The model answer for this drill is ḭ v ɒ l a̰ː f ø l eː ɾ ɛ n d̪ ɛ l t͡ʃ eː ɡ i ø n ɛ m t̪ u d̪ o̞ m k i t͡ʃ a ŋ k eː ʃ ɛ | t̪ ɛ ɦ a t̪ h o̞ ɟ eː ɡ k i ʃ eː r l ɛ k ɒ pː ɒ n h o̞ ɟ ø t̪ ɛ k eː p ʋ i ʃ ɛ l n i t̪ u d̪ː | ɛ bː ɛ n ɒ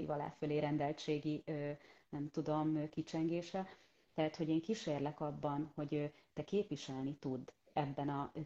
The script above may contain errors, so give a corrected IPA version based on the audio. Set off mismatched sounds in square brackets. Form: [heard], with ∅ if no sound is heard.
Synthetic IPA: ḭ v ɒ l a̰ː f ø l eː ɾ ɛ n d̪ ɛ l t͡ʃ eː ɡ i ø n ɛ m t̪ u d̪ o̞ m k i t͡ʃ [ɛ] ŋ [ɡ] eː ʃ ɛ | t̪ ɛ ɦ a t̪ h o̞ ɟ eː [ŋ] k i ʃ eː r l ɛ k ɒ [bː] ɒ n h o̞ ɟ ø t̪ ɛ k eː p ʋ i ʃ ɛ l n i t̪ u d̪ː | ɛ bː ɛ n ɒ